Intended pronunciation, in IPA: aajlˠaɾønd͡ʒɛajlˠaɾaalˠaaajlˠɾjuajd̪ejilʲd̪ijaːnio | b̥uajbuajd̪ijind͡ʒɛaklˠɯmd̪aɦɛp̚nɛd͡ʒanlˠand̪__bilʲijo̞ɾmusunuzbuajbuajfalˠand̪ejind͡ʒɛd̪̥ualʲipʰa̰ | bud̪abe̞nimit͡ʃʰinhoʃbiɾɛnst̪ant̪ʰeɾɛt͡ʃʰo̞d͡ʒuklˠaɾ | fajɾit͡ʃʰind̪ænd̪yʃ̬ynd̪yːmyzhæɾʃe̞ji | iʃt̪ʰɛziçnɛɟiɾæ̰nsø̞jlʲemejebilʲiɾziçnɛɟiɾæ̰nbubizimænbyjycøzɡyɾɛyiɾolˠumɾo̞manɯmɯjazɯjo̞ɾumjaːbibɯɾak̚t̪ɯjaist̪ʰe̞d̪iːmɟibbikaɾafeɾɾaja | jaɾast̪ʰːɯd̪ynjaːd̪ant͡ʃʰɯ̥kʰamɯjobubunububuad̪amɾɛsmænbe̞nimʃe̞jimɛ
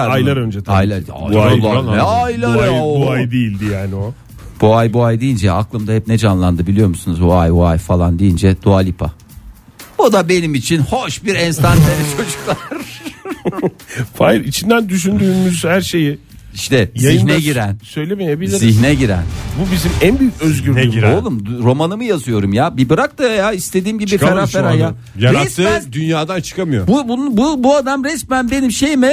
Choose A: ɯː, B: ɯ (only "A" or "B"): B